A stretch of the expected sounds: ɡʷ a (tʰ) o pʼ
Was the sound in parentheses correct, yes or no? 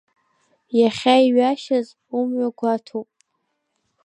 yes